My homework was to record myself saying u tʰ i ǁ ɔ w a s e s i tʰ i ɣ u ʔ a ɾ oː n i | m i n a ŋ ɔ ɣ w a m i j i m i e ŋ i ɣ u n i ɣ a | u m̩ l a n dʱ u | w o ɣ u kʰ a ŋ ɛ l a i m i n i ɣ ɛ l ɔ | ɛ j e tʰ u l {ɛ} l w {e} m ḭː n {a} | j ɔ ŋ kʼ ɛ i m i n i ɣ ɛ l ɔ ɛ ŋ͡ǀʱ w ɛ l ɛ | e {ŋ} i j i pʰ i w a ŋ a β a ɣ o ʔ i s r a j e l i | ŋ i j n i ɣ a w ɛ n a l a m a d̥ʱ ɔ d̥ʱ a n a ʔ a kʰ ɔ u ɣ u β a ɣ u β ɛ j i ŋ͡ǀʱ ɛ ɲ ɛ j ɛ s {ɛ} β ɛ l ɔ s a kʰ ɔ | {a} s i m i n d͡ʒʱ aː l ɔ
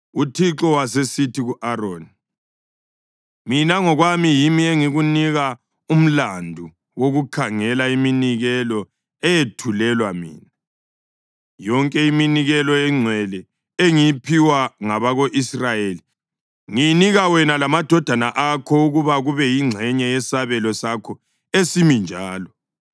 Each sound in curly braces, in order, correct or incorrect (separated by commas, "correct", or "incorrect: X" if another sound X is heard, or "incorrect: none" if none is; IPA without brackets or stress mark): correct, incorrect: a, correct, correct, incorrect: a, incorrect: e